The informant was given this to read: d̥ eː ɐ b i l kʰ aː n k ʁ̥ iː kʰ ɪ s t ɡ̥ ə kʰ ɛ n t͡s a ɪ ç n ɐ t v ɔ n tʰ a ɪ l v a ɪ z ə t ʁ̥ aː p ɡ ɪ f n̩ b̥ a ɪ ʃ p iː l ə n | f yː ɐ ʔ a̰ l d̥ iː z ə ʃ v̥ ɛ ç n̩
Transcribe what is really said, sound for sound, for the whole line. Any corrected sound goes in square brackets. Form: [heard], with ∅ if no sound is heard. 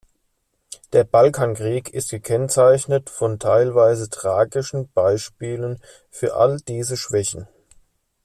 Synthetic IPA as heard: d̥ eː ɐ b [a] l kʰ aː n k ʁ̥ iː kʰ ɪ s t ɡ̥ ə kʰ ɛ n t͡s a ɪ ç n [ə] t [f] ɔ n tʰ a ɪ l v a ɪ z ə t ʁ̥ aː [∅] ɡ ɪ [ʃ] n̩ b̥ a ɪ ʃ p iː l ə n | f yː ɐ ʔ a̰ l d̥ iː z ə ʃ v̥ ɛ ç n̩